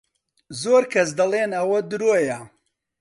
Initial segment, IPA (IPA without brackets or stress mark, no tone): z